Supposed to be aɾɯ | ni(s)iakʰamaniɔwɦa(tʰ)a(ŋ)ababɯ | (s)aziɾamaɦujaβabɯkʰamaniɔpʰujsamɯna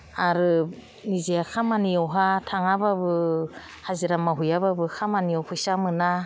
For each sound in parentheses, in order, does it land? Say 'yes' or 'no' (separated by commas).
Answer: no, yes, yes, no